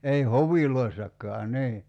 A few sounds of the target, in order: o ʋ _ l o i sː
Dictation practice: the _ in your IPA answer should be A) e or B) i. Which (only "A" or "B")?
B